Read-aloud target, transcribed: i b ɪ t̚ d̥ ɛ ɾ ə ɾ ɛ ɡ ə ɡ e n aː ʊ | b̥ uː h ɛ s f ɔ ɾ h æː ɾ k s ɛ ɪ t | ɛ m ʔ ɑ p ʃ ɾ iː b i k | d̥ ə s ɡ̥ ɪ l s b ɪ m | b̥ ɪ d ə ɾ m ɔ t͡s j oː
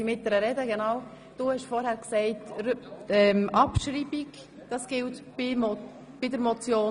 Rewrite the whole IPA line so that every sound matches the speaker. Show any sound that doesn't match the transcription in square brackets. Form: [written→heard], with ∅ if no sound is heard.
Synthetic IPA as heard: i [b→m] ɪ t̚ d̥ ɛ ɾ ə ɾ ɛ [ɡ→d] ə ɡ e n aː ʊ | [b̥→d̥] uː h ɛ [s→ʃ] f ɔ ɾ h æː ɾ k s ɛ ɪ t | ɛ m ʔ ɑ p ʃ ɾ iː b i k | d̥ [ə→ɑ] s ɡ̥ ɪ l [s→t] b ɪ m | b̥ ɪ d ə ɾ m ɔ t͡s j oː